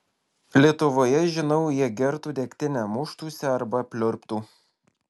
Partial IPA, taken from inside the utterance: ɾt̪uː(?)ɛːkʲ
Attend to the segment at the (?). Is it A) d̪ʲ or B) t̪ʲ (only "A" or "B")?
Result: A